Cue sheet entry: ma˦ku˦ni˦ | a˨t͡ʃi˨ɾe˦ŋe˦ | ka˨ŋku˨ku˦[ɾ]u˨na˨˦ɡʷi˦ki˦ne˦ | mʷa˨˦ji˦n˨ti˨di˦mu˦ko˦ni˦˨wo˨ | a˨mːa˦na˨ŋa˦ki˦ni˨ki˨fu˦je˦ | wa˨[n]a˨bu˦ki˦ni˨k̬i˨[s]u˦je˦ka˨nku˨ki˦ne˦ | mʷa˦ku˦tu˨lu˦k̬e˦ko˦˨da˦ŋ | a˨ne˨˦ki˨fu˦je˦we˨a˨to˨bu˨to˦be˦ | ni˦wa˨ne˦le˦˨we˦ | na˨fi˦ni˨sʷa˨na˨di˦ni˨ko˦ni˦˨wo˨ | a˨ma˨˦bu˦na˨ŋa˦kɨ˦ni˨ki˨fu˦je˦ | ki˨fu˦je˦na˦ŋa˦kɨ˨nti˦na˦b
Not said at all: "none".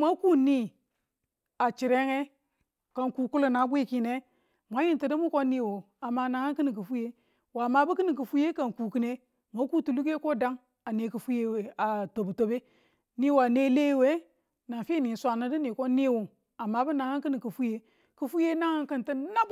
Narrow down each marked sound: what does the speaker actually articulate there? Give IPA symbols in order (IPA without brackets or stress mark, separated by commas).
l, m, f